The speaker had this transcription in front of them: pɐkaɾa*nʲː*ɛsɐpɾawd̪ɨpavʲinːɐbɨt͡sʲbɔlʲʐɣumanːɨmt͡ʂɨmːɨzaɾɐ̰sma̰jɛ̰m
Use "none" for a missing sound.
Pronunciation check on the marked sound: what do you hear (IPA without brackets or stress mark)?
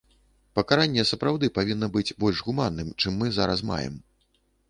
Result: nʲː